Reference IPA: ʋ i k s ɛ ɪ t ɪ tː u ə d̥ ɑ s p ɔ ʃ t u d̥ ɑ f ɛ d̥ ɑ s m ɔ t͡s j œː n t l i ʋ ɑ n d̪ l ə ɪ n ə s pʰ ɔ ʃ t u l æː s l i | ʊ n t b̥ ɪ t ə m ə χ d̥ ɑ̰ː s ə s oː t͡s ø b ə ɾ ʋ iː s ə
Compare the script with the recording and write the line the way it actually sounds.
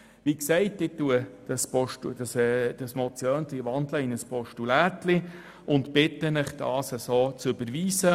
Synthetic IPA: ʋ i k s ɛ ɪ t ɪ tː u ə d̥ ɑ s p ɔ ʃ t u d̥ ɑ s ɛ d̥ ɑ s m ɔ t͡s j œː n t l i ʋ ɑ n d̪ l ə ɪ n ə s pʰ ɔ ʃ t u l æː t l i | ʊ n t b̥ ɪ t ə n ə χ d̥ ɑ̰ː s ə s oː t͡s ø b ə ɾ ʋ iː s ə